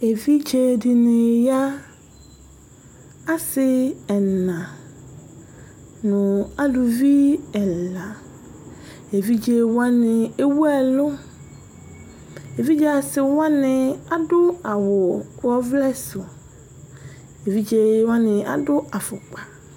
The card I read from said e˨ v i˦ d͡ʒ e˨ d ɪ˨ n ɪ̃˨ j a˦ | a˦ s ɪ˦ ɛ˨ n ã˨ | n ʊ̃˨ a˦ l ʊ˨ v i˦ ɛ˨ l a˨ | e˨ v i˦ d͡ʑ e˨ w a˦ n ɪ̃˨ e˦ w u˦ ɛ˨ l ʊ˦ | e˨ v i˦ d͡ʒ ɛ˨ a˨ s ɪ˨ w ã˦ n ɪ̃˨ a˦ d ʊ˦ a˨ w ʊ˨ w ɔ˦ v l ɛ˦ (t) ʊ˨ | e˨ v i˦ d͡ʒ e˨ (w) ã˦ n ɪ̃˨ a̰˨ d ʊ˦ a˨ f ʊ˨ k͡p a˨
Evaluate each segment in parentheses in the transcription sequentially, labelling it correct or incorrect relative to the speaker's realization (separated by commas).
incorrect, correct